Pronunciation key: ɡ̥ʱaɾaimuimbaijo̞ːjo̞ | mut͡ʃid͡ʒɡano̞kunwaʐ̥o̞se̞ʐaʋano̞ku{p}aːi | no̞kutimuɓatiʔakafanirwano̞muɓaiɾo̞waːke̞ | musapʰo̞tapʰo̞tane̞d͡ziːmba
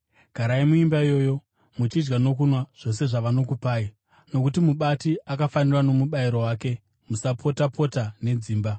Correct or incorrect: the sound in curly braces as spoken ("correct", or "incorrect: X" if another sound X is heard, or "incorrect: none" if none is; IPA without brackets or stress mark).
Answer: correct